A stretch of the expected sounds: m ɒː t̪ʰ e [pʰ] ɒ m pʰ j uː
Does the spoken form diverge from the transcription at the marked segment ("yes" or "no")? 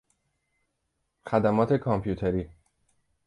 yes